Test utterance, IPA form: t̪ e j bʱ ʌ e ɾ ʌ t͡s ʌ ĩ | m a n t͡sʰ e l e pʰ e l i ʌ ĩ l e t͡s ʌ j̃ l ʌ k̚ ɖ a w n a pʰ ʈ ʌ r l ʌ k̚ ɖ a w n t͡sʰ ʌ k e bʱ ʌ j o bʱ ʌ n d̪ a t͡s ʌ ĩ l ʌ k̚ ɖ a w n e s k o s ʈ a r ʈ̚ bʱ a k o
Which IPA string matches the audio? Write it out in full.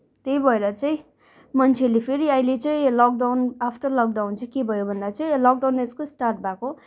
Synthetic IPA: t̪ e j bʱ ʌ e ɾ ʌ t͡s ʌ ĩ | m ʌ n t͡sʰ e l e pʰ e ɾ i ʌ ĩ l e t͡s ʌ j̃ l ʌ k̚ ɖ a w n a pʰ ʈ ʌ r l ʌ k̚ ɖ a w n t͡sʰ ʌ k e bʱ ʌ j o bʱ ʌ n d̪ a t͡s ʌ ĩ l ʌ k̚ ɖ a w n e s k o s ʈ a r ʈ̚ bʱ a k o